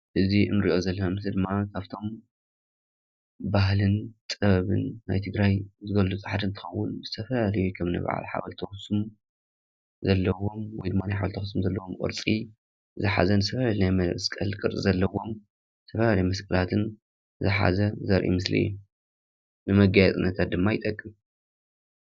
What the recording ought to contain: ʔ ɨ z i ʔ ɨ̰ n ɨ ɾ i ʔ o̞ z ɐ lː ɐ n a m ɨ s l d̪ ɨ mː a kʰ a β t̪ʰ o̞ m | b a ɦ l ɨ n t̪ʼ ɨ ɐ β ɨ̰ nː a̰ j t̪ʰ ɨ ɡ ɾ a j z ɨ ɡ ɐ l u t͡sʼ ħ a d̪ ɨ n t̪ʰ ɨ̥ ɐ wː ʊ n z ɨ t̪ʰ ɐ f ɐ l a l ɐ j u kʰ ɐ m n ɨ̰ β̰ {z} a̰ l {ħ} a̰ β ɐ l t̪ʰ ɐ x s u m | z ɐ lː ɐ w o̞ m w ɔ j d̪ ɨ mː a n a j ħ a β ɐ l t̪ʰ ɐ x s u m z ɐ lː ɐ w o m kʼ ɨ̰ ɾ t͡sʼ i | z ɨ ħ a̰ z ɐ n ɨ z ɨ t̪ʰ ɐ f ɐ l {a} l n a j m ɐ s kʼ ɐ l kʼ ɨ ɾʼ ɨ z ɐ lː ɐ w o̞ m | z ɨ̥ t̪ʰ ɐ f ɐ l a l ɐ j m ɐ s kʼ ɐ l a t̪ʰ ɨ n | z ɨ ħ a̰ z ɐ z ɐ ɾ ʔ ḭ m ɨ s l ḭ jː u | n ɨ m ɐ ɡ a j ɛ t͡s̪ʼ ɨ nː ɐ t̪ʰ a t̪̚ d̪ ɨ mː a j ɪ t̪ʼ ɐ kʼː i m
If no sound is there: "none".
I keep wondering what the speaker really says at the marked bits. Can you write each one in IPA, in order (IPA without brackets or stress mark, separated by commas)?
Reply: ʕ, ħ, a